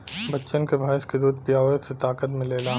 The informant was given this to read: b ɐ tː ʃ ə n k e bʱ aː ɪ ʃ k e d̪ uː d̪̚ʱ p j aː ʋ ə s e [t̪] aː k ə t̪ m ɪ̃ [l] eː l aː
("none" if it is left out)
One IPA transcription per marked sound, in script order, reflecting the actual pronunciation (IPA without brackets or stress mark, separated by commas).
t̪, l